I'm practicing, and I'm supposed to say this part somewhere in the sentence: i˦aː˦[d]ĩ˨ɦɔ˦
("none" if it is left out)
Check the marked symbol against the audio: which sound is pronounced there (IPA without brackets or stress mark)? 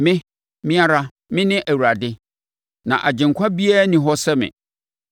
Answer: n